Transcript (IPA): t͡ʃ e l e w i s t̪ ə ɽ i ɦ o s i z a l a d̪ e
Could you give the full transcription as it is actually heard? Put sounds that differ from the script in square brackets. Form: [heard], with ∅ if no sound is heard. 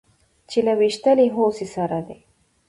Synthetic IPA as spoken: t͡ʃ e l [a] w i [ʃ] t̪ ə [l] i ɦ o s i [s] a [ɾ] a d̪ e